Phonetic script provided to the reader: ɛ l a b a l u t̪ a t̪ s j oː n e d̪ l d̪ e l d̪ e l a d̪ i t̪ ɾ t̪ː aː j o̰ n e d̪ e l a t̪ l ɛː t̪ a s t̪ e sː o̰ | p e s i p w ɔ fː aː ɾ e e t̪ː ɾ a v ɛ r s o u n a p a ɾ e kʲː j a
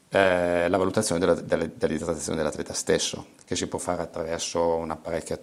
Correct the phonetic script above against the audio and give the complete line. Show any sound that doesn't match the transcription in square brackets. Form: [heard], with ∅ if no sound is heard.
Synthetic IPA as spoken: ɛ l a [v] a l u t̪ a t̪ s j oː n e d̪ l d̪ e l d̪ e l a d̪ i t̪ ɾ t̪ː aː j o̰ n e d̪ e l a t̪ l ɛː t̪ a s t̪ e sː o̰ | [k] e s i p w ɔ fː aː ɾ e [a] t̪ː ɾ a v ɛ r s o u n a p a ɾ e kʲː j a